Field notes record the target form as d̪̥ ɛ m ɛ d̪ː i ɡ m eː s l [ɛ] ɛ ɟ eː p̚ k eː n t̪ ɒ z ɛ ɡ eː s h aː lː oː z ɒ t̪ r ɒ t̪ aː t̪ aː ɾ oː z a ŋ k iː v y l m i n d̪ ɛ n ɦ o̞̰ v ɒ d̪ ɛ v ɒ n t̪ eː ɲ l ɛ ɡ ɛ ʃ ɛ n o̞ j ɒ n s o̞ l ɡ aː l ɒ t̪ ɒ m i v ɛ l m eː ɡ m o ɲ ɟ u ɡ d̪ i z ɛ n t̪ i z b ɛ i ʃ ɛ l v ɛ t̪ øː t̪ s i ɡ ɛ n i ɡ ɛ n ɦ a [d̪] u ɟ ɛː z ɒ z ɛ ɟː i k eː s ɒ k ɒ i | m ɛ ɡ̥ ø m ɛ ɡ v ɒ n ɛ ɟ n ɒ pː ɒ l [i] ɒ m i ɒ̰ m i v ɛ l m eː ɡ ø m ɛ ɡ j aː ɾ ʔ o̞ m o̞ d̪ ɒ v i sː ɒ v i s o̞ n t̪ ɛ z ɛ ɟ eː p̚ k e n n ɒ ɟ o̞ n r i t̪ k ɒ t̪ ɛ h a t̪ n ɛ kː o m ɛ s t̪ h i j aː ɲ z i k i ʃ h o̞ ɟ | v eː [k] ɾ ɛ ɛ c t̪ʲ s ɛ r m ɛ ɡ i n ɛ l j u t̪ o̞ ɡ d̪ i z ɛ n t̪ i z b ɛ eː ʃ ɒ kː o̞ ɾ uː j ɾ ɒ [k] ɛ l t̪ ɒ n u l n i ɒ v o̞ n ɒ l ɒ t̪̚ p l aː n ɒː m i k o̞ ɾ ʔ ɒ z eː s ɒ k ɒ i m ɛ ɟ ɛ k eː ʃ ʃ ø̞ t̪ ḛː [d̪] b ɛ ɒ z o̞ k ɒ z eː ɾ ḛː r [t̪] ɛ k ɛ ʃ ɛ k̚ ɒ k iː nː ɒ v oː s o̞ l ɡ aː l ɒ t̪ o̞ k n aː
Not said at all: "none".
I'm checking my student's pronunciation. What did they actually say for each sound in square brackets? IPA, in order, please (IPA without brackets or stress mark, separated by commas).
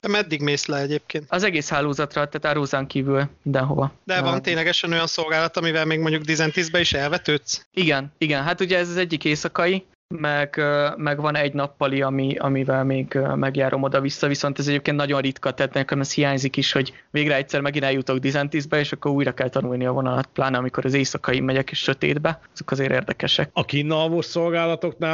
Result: ɛ, t̪, i, ɡ, k, d̪, d̪